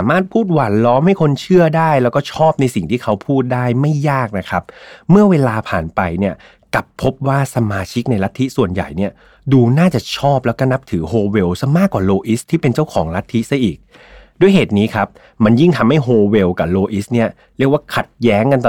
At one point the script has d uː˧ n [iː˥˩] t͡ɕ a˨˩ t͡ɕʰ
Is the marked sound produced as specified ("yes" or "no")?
no